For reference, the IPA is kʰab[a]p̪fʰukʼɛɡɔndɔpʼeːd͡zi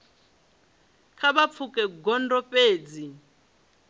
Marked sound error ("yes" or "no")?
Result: no